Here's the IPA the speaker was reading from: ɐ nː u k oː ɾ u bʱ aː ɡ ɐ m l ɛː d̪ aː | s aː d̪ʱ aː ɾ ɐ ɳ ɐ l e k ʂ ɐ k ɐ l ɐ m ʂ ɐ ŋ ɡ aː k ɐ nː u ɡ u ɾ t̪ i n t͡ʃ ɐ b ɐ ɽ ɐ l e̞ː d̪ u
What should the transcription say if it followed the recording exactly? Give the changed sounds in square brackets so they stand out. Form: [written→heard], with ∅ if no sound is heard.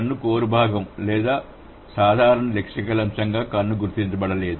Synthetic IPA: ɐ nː u k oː ɾ u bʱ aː ɡ ɐ m l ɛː d̪ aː | s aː d̪ʱ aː ɾ ɐ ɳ ɐ l e k ʂ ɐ k ɐ l ɐ m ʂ ɐ ŋ ɡ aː k ɐ nː u ɡ u ɾ t̪ i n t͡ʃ ɐ b ɐ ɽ ɐ l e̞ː d̪ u